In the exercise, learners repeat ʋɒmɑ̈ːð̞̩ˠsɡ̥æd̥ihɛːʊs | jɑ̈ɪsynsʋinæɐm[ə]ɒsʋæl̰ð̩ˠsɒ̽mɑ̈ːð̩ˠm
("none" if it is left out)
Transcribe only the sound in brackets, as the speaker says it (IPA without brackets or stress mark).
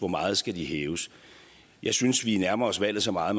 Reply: ɐ